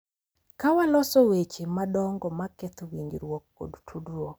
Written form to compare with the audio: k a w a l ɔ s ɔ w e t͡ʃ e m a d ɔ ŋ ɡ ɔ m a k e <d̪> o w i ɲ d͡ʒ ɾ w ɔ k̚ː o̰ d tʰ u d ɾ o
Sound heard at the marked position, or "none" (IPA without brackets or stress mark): t̪